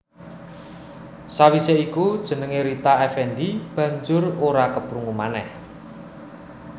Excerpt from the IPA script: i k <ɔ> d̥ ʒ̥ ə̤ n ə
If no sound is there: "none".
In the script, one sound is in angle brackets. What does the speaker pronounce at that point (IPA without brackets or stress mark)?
u